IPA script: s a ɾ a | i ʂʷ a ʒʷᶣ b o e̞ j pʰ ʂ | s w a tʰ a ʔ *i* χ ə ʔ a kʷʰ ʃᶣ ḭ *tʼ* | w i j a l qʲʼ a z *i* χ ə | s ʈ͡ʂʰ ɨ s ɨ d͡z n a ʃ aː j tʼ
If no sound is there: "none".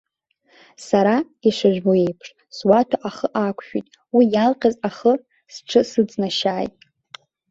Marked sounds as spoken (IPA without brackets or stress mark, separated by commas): a, tʼ, a